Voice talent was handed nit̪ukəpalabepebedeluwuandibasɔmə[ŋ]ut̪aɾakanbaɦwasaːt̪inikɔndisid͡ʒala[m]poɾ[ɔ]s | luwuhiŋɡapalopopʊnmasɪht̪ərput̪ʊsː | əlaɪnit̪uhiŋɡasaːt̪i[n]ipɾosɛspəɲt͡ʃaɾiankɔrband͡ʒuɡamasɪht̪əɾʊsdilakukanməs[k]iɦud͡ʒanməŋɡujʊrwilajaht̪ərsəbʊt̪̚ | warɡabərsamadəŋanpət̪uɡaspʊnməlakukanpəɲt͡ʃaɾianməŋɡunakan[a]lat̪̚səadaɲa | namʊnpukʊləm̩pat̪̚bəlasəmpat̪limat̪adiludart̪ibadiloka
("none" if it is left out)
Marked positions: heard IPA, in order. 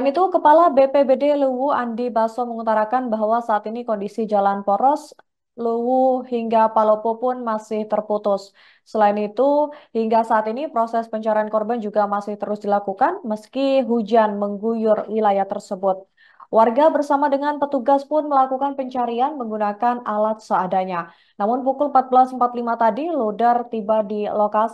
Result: ŋ, n, ɔ, n, k, a

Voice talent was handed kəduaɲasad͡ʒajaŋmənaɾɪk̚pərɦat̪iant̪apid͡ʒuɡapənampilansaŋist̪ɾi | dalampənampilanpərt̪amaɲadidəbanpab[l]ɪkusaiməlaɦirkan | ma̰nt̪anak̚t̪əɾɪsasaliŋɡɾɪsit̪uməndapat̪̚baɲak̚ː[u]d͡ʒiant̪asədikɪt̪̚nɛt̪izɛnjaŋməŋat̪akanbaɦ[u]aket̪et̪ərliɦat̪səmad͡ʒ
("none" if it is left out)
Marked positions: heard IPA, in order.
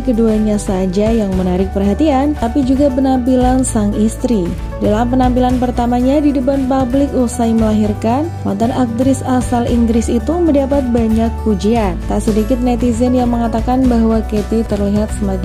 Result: l, u, w

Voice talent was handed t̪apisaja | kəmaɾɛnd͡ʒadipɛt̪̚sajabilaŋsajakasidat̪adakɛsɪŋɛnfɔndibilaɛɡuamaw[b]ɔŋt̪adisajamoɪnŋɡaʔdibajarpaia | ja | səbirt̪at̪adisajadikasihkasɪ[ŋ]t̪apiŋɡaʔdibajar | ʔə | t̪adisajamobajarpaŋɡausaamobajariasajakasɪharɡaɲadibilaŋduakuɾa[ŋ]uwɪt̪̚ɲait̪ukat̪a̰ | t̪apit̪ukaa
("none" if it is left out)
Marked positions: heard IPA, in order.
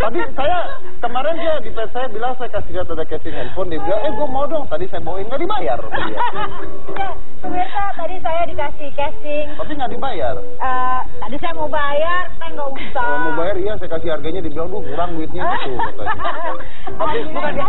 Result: d, ŋ, ŋ

